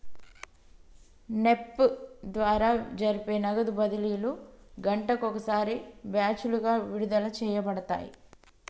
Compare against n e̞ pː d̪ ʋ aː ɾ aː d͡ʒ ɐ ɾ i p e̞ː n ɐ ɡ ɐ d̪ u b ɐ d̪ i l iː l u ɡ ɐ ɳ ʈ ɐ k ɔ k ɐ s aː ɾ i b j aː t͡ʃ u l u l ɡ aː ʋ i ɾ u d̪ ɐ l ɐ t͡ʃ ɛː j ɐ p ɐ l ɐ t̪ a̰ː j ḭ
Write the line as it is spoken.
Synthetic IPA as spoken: n e̞ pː d̪ ʋ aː ɾ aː d͡ʒ ɐ ɾ i p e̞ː n ɐ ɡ ɐ d̪ u b ɐ d̪ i l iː l u ɡ ɐ ɳ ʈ ɐ k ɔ k ɐ s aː ɾ i b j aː t͡ʃ u l u ɡ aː ʋ i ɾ u d̪ ɐ l ɐ t͡ʃ ɛː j ɐ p ɐ ɽ ɐ t̪ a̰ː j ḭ

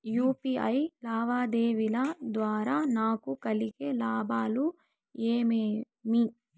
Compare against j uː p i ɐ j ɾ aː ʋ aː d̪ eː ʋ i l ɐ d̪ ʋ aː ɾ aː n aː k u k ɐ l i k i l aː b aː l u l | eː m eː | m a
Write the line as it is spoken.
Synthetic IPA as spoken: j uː p i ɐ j l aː ʋ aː d̪ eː ʋ i l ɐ d̪ ʋ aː ɾ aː n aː k u k ɐ l i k e l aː b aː l u | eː m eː | m i

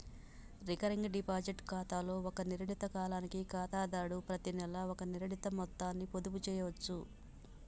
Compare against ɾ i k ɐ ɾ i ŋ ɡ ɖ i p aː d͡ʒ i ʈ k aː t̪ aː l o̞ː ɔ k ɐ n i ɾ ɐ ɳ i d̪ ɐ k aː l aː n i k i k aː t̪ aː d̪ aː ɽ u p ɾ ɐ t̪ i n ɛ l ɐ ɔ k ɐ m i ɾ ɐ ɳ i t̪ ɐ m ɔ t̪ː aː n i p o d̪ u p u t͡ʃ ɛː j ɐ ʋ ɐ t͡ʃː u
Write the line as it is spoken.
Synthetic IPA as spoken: ɾ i k ɐ ɾ i ŋ ɡ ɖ i p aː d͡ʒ i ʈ k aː t̪ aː l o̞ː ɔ k ɐ n i ɾ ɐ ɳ i t̪ ɐ k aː l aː n i k i k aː t̪ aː d̪ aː ɽ u p ɾ ɐ t̪ i n ɛ l ɐ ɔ k ɐ n i ɾ ɐ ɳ i t̪ ɐ m ɔ t̪ː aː nː i p o d̪ u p u t͡ʃ ɛː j ɐ ʋ ɐ t͡ʃː u

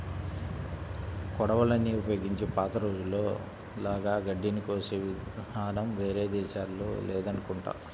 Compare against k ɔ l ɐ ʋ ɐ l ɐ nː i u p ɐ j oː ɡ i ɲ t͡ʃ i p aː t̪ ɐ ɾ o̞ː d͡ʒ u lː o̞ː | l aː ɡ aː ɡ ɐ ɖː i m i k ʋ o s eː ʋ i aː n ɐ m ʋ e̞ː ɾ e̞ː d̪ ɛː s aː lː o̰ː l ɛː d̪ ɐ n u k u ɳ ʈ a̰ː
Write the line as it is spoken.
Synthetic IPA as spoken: k ɔ ɽ ɐ ʋ ɐ l ɐ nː i u p ɐ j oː ɡ i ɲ t͡ʃ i p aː t̪ ɐ ɾ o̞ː d͡ʒ u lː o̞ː | l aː ɡ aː ɡ ɐ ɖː i n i k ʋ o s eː ʋ i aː n ɐ m ʋ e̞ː ɾ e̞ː d̪ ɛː ʃ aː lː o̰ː l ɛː d̪ ɐ n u k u ɳ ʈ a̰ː

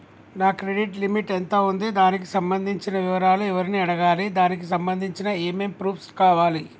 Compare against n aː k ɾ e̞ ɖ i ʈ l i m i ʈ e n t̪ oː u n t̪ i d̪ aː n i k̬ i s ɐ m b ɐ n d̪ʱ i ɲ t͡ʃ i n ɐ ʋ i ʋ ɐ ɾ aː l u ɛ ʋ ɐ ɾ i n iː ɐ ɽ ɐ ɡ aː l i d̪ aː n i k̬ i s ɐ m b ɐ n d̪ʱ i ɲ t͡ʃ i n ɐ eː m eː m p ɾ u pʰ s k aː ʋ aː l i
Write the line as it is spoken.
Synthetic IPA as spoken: n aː k ɾ e̞ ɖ i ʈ l i m i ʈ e n t̪ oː u n d̪ i d̪ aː n i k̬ i s ɐ m b ɐ n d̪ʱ i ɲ t͡ʃ i n ɐ ʋ i ʋ ɐ ɾ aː l u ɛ ʋ ɐ ɾ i n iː ɐ ɽ ɐ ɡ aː l i d̪ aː n i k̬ i s ɐ m b ɐ n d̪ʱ i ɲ t͡ʃ i n ɐ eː m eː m p ɾ uː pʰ s k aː ʋ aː l i

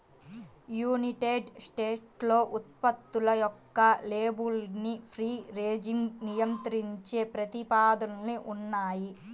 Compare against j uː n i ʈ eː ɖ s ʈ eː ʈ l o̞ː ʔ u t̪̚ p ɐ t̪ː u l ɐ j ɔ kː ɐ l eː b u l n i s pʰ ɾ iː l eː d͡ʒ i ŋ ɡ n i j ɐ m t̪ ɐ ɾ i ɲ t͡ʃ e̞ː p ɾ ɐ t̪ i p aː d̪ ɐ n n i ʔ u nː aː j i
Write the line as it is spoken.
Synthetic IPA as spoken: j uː n i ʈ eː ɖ s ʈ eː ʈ l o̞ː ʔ u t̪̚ p ɐ t̪ː u l ɐ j ɔ kː ɐ l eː b u l n i pʰ ɾ iː ɾ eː d͡ʒ i ŋ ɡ n i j ɐ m t̪ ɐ ɾ i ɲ t͡ʃ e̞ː p ɾ ɐ t̪ i p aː d̪ ɐ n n i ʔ u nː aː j i

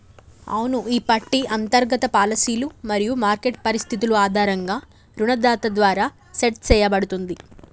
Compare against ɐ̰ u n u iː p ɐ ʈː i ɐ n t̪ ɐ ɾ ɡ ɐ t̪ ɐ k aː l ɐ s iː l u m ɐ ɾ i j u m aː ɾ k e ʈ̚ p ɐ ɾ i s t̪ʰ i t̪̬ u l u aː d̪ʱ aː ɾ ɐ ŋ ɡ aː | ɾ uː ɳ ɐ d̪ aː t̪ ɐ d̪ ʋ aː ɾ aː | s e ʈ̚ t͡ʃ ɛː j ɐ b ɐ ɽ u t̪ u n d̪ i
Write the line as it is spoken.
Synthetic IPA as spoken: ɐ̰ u n u iː p ɐ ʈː i ɐ n t̪ ɐ ɾ ɡ ɐ t̪ ɐ p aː l ɐ s iː l u m ɐ ɾ i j u m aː ɾ k e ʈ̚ p ɐ ɾ i s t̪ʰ i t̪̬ u l u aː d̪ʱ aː ɾ ɐ ŋ ɡ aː | ɾ u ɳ ɐ d̪ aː t̪ ɐ d̪ ʋ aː ɾ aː | s e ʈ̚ t͡ʃ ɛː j ɐ b ɐ ɽ u t̪ u n d̪ i

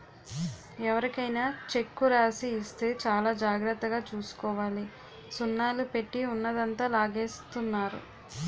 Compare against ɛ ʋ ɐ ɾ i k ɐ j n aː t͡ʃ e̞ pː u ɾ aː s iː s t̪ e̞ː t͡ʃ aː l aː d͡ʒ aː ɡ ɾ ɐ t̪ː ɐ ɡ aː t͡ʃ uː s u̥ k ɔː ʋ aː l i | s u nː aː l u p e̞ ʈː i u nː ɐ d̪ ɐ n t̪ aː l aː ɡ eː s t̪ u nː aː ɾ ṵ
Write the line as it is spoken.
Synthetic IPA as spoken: ɛ ʋ ɐ ɾ i k ɐ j n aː t͡ʃ e̞ kː u ɾ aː s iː s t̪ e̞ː t͡ʃ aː l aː d͡ʒ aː ɡ ɾ ɐ t̪ː ɐ ɡ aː t͡ʃ uː s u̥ k ɔː ʋ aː l i | s u nː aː l u p e̞ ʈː i u nː ɐ d̪ ɐ n t̪ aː l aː ɡ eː s t̪ u nː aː ɾ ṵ

